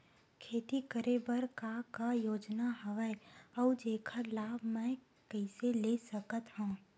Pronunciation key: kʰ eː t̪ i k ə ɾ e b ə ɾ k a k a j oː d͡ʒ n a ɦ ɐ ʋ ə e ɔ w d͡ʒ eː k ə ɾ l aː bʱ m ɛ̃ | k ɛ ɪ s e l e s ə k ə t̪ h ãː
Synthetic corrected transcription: kʰ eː t̪ i k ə ɾ e b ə ɾ k a k a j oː d͡ʒ n a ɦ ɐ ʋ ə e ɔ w d͡ʒ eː kʰ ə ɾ l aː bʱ m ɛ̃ | k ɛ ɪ s e l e s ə k ə t̪ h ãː